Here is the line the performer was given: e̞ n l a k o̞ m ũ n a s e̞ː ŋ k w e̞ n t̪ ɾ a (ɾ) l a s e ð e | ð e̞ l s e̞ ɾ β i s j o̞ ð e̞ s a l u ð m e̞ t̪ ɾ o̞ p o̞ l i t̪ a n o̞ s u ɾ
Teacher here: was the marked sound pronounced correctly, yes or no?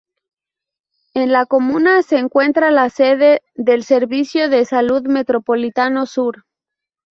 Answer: no